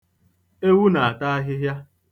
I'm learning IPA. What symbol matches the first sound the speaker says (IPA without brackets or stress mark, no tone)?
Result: e